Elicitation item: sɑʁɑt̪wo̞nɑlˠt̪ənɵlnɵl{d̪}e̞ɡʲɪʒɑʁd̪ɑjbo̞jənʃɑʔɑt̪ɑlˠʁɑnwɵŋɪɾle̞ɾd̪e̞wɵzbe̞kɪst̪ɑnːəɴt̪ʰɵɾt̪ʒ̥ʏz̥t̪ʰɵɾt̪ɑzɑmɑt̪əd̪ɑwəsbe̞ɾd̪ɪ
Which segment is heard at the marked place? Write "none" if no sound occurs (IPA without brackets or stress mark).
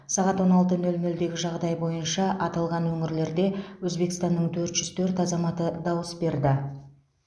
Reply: d̪